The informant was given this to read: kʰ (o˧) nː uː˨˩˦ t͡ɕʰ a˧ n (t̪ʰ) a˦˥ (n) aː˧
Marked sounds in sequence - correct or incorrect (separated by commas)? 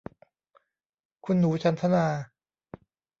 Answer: incorrect, correct, correct